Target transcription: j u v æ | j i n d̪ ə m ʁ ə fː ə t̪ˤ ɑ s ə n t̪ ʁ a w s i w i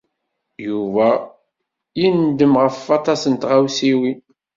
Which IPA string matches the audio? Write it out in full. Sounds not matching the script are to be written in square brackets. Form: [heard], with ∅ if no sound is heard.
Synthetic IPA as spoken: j u v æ | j i n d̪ ə m ʁ ə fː [ɑ] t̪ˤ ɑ s ə n t̪ ʁ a w s i w i

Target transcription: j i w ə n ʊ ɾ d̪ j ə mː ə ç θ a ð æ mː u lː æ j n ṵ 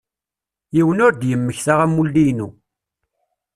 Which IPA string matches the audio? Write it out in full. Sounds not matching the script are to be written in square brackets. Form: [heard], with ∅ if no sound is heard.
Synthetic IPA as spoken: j i w ə n ʊ ɾ d̪ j ə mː ə ç θ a [ʁ] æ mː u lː [i] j n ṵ

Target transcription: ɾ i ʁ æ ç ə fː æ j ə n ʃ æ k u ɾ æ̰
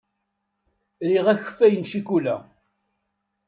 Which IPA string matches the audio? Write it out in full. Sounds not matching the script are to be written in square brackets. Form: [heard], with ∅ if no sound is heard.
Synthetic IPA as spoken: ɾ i ʁ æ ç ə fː æ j ə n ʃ [i] k u [l] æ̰

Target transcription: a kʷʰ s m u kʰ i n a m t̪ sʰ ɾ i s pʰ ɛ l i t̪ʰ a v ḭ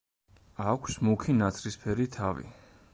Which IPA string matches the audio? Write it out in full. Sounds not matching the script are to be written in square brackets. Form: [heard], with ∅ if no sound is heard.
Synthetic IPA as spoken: a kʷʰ s m u kʰ i n a [∅] t̪ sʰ ɾ i s pʰ ɛ [ɾ] i t̪ʰ a v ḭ

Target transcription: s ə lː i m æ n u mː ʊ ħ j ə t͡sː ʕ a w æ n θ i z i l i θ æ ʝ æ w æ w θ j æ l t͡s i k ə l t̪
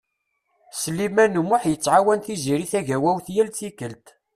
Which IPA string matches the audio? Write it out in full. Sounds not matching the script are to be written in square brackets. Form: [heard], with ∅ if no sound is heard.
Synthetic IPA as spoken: s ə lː i m æ n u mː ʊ ħ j ə t͡sː ʕ a w æ n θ i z i [ɾ] i θ æ ʝ æ w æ w θ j æ l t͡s i k ə l t̪

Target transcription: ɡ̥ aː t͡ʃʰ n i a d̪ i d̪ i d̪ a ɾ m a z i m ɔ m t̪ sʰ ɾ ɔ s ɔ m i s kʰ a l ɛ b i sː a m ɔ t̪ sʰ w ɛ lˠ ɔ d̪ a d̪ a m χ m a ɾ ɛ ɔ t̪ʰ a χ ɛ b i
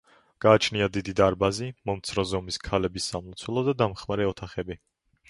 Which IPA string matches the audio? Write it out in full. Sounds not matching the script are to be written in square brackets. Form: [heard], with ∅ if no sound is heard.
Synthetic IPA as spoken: ɡ̥ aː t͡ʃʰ n i a d̪ i d̪ i d̪ a ɾ [b] a z i m ɔ m t̪ sʰ ɾ ɔ [z] ɔ m i s kʰ a l ɛ b i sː a m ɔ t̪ sʰ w ɛ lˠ ɔ d̪ a d̪ a m χ m a ɾ ɛ ɔ t̪ʰ a χ ɛ b i

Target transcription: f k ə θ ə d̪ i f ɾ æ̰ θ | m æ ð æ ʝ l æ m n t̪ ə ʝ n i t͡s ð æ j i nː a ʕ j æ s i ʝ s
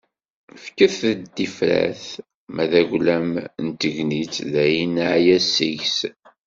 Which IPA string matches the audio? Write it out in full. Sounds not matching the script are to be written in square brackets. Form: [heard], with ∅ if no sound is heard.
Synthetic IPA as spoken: f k ə θ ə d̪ i f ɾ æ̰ θ | m æ ð æ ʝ l æ m n t̪ ə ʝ n i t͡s ð æ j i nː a ʕ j æ s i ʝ s

